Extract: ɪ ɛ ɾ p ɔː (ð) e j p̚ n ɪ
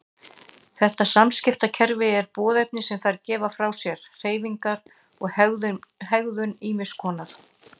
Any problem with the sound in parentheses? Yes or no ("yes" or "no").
no